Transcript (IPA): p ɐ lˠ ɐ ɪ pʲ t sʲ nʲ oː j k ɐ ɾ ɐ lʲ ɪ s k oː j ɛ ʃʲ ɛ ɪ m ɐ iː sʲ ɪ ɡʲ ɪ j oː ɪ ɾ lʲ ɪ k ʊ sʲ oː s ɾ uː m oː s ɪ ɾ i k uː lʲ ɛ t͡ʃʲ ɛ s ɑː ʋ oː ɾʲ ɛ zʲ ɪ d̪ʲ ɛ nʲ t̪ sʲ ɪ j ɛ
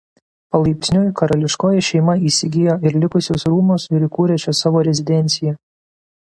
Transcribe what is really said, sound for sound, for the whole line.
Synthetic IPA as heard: p ɐ lˠ ɐ ɪ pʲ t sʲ nʲ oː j k ɐ ɾ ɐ lʲ ɪ ʃ k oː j ɛ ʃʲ ɛ ɪ m ɐ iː sʲ ɪ ɡʲ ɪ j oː ɪ ɾ lʲ ɪ k ʊ sʲ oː s ɾ uː m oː s ɪ ɾ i k uː ɾʲ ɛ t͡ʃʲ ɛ s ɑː ʋ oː ɾʲ ɛ zʲ ɪ d̪ʲ ɛ nʲ t̪ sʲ ɪ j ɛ